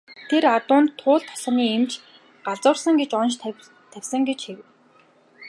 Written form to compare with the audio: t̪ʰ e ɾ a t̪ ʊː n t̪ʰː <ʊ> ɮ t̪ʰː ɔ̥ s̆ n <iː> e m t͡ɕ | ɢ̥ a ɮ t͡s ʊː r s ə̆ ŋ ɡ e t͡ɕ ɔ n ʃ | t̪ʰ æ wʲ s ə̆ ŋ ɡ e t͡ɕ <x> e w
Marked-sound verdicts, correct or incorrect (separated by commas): incorrect, correct, correct